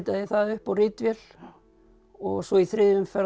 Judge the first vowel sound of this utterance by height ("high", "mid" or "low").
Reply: low